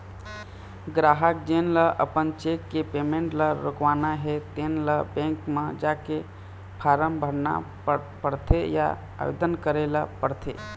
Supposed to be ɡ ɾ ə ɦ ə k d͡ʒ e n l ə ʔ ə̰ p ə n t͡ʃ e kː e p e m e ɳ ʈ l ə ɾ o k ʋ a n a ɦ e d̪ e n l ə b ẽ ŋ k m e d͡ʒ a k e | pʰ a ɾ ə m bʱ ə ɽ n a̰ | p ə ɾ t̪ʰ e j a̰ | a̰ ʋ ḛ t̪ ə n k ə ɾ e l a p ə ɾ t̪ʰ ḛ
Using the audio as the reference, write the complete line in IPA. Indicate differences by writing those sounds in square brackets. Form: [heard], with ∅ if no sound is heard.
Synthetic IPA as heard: ɡ ɾ [a] ɦ ə k d͡ʒ e n l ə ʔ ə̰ p ə n t͡ʃ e kː e p e m e ɳ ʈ l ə ɾ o k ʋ a n a ɦ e [t̪] e n l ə b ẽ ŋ k m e d͡ʒ a k e | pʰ a ɾ ə m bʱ ə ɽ n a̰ | p ə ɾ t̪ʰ e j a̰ | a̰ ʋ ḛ [d̪] ə n k ə ɾ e l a p ə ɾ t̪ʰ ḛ